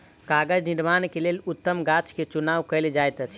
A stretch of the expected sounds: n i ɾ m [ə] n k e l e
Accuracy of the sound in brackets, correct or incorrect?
incorrect